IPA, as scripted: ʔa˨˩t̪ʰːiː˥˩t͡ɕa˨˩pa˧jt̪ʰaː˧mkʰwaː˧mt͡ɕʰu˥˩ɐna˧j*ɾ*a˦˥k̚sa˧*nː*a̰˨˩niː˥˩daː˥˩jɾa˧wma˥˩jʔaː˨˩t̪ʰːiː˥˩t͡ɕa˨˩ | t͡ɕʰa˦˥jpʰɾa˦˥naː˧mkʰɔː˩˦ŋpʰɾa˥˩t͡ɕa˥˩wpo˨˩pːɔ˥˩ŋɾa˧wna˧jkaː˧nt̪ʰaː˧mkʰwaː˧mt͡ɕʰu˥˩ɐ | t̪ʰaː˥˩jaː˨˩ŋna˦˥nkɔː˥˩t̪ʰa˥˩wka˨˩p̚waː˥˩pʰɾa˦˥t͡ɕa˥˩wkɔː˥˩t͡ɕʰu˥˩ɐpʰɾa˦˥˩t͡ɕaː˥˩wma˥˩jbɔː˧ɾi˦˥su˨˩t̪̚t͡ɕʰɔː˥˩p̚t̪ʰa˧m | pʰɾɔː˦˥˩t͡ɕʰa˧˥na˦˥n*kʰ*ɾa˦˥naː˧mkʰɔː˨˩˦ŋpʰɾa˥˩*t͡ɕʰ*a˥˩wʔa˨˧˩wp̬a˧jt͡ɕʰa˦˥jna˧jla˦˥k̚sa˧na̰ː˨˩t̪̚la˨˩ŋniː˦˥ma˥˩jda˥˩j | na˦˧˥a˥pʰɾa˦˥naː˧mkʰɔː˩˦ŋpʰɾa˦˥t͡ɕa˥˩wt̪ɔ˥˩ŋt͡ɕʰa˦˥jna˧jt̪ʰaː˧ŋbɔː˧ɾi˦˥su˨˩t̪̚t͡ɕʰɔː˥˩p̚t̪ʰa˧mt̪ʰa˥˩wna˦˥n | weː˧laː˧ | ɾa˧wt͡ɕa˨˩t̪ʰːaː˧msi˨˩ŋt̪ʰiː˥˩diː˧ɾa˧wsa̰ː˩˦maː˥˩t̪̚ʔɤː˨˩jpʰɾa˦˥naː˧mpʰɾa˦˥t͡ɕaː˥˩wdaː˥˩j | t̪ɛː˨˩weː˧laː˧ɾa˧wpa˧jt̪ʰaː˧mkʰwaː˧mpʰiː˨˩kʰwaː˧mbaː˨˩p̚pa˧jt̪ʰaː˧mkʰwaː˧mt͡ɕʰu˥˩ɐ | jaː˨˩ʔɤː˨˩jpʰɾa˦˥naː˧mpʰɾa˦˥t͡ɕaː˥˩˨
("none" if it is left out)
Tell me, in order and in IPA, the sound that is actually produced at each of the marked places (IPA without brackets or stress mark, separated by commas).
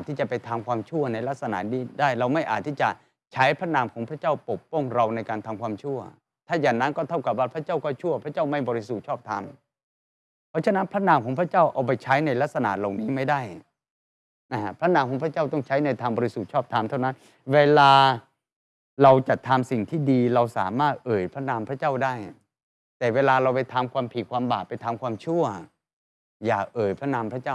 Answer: l, n, pʰ, t͡ɕ